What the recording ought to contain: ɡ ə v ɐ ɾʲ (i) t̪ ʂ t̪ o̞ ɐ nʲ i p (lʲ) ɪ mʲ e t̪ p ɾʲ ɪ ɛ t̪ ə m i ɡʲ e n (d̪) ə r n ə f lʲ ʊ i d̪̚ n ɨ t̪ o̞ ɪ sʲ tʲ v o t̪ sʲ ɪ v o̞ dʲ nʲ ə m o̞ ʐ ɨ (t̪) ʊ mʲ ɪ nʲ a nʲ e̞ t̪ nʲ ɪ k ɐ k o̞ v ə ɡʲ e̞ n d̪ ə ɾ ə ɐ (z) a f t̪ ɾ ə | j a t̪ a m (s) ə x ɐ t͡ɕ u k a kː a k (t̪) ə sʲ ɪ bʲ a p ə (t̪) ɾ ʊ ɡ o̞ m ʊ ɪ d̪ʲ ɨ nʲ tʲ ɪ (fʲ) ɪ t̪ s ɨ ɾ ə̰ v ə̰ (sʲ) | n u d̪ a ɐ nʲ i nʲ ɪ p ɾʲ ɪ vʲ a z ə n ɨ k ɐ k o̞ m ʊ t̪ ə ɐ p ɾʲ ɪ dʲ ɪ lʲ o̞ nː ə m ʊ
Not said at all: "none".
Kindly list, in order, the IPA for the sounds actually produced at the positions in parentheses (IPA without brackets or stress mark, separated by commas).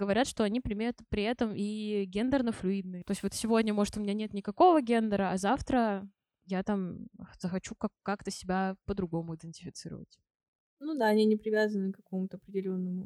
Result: a, ɾʲ, d̪, t̪, z, z, t̪, d̪, fʲ, tʲ